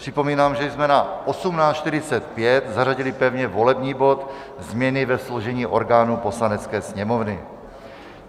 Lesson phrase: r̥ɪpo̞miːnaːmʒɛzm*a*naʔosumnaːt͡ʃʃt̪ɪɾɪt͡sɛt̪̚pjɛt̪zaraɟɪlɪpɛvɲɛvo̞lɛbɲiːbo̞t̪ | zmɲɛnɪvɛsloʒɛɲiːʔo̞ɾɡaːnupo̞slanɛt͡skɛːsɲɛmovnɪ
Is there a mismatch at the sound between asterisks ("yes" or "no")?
yes